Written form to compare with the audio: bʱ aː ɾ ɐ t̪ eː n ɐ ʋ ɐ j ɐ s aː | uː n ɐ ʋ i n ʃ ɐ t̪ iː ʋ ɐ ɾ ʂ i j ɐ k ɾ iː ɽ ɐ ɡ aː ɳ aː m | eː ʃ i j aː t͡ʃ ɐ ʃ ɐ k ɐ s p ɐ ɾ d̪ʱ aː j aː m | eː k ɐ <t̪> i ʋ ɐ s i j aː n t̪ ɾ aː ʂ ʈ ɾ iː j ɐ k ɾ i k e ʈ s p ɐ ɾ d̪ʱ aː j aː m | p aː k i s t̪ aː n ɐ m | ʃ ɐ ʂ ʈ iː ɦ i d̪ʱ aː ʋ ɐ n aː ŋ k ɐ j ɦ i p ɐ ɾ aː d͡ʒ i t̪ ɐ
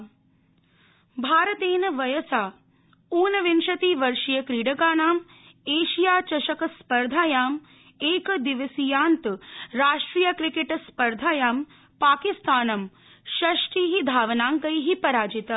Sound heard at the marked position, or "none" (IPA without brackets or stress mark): d̪